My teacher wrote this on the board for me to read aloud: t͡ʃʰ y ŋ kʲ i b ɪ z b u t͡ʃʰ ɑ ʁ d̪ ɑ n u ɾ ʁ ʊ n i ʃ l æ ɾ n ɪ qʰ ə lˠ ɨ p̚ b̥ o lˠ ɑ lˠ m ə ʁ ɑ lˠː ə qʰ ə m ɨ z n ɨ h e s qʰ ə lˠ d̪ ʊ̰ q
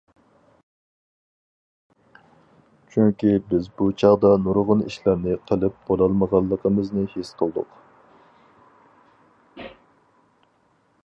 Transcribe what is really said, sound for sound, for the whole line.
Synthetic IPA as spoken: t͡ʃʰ y ŋ kʲ i b ɪ z b u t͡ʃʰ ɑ ʁ d̪ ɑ n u ɾ ʁ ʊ n i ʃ l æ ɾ n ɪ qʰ ə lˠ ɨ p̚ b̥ o lˠ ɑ lˠ m ə ʁ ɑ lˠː ə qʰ ə m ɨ z n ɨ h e s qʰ ə lˠ d̪ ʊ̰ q

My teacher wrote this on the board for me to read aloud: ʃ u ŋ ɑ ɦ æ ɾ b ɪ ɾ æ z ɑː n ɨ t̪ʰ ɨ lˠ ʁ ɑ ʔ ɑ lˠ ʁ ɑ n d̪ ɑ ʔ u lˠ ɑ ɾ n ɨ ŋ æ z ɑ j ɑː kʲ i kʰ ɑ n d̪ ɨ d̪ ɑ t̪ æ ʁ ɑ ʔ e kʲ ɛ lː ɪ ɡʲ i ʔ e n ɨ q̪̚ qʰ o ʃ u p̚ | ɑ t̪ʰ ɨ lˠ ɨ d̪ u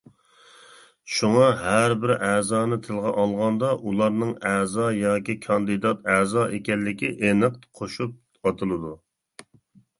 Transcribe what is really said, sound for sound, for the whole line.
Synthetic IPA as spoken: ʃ u ŋ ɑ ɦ æ ɾ b ɪ ɾ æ z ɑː n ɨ t̪ʰ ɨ lˠ ʁ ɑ ʔ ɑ lˠ ʁ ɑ n d̪ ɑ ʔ u lˠ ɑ ɾ n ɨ ŋ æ z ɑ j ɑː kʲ i kʰ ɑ n d̪ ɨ d̪ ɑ t̪ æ z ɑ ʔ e kʲ ɛ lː ɪ kʲ i ʔ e n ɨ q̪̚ qʰ o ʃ u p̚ | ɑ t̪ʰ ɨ lˠ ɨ d̪ u

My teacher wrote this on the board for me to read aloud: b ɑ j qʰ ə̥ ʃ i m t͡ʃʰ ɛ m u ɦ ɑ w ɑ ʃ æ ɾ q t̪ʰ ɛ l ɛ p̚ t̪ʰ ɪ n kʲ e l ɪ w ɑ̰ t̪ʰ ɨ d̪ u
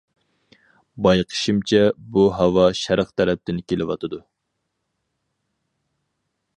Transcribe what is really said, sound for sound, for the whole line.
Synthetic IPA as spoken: b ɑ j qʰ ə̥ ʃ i m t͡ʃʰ ɛ b u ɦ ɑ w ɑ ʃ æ ɾ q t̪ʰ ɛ ɾ ɛ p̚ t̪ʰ ɪ n kʲ e l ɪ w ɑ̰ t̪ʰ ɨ d̪ u

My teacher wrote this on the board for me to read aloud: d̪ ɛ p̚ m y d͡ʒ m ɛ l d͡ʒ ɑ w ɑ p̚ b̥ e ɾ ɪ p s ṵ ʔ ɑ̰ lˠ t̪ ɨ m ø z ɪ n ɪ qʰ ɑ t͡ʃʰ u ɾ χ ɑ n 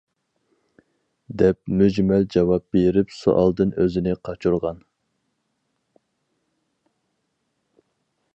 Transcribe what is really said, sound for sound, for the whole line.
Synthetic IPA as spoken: d̪ ɛ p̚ m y d͡ʒ m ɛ l d͡ʒ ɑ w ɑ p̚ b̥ e ɾ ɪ p s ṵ ʔ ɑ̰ lˠ d̪ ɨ n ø z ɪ n ɪ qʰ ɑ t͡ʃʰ u ɾ ʁ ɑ n

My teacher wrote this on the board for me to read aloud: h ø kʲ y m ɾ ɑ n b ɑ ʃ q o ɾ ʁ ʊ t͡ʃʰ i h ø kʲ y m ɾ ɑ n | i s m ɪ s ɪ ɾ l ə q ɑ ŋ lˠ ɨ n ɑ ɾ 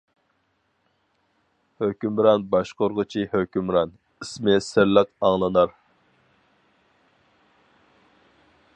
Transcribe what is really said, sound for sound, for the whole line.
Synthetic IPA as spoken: h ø kʲ y m ɾ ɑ n b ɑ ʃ q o ɾ ʁ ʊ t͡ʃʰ i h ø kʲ y m ɾ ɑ n | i s m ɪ s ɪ ɾ l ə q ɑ ŋ lˠ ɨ n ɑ ɾ

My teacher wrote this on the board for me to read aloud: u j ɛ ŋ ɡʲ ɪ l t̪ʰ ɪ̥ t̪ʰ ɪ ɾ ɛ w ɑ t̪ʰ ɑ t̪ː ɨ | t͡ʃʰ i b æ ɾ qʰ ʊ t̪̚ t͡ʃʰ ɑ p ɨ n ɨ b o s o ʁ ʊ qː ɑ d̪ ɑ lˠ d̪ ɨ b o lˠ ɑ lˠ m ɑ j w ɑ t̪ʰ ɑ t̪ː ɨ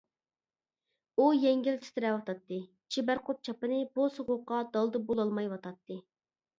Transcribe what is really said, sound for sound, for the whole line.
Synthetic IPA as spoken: u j ɛ ŋ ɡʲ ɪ l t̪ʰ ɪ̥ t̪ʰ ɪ ɾ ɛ w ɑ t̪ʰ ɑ t̪ː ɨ | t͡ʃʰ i b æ ɾ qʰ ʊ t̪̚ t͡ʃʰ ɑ p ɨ n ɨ b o s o ʁ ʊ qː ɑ d̪ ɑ lˠ d̪ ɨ b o lˠ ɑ lˠ m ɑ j w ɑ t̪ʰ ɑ t̪ː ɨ

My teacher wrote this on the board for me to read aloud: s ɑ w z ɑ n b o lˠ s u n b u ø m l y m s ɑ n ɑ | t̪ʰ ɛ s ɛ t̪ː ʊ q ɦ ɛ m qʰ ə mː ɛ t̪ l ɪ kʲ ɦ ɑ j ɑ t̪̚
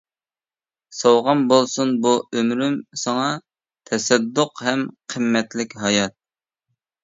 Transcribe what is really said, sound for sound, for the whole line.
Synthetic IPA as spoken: s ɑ w ʁ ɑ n b o lˠ s u n b u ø m ɾ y m s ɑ ŋ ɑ | t̪ʰ ɛ s ɛ d̪ː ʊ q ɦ ɛ m qʰ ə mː ɛ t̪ l ɪ kʲ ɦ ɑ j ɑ t̪̚

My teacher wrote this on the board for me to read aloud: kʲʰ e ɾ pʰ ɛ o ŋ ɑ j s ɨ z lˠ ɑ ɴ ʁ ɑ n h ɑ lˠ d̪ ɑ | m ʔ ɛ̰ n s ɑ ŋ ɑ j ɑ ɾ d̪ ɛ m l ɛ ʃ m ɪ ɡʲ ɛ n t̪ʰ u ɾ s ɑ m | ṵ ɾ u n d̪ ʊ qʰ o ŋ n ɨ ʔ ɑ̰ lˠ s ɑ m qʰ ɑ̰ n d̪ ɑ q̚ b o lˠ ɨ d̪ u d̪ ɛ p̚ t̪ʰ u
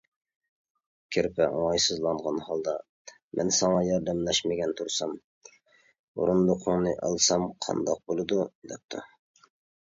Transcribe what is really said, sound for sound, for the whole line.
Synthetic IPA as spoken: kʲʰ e ɾ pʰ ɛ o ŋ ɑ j s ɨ z lˠ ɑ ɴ ʁ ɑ n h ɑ lˠ d̪ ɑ | m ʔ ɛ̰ n s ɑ ŋ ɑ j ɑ ɾ d̪ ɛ m l ɛ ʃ m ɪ ɡʲ ɛ n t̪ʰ u ɾ s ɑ m | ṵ ɾ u n d̪ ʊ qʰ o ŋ n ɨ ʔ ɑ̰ lˠ s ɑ m qʰ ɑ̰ n d̪ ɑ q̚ b o lˠ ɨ d̪ u d̪ ɛ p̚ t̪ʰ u

